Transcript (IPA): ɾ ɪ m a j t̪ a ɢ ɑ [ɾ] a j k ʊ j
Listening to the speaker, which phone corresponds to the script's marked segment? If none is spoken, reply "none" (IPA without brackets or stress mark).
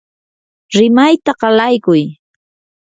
l